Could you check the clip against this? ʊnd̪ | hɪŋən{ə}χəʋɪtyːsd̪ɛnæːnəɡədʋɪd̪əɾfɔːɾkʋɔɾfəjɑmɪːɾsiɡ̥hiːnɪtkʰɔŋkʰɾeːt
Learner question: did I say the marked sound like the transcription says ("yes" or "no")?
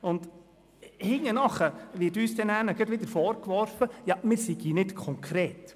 no